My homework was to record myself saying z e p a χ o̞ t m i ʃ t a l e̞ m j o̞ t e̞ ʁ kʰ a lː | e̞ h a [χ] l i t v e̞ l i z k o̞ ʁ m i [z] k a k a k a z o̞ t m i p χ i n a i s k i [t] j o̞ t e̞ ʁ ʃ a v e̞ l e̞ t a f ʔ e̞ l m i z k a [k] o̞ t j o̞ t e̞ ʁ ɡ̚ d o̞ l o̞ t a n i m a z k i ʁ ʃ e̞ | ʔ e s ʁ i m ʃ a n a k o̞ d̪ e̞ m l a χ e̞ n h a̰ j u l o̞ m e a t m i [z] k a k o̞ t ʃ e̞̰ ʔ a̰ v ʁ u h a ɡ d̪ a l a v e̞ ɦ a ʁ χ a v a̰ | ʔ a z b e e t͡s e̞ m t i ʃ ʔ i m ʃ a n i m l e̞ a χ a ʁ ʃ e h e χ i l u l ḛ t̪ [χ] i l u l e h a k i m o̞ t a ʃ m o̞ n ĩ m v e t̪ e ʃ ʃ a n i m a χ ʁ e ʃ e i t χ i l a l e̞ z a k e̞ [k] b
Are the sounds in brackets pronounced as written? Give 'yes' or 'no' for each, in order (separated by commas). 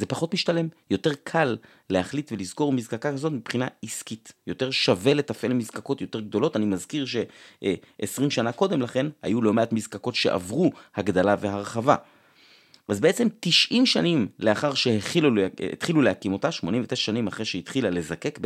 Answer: yes, yes, yes, yes, yes, yes, yes